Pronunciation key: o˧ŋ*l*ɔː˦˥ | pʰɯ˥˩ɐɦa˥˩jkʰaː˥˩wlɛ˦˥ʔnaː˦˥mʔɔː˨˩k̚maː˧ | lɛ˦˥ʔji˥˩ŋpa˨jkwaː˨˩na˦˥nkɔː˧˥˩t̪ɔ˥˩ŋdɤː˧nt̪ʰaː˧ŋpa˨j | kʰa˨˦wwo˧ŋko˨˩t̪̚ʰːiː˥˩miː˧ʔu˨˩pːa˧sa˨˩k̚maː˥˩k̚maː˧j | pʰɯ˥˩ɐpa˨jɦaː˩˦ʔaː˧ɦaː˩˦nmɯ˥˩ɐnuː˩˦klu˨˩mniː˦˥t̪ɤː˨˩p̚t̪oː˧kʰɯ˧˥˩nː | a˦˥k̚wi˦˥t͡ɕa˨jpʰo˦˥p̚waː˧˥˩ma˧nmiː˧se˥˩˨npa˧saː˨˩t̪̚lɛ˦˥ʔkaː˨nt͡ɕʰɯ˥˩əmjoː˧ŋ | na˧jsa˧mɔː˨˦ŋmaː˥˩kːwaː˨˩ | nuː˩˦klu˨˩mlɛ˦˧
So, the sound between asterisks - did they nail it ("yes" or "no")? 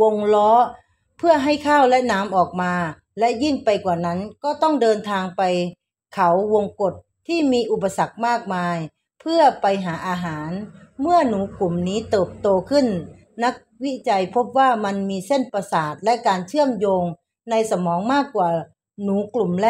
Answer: yes